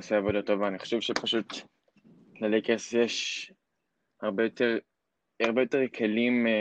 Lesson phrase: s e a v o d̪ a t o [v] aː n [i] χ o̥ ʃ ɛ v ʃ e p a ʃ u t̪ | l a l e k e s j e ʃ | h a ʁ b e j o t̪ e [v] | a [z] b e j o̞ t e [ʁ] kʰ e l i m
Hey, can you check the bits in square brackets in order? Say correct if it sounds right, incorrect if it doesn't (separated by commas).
correct, correct, incorrect, incorrect, correct